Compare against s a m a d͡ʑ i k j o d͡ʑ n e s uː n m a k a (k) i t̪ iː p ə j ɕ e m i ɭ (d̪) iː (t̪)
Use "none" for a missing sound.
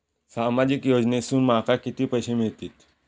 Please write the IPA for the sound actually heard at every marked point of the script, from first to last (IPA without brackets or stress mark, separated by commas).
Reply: k, t̪, t̪